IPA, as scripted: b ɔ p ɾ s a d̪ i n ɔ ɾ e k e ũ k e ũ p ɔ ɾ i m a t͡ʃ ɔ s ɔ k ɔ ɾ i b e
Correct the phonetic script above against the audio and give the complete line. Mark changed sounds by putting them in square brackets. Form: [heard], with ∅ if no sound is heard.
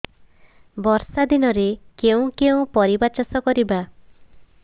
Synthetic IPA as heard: b ɔ [∅] ɾ s a d̪ i n ɔ ɾ e k e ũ k e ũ p ɔ ɾ i [b] a t͡ʃ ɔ s ɔ k ɔ ɾ i b [a]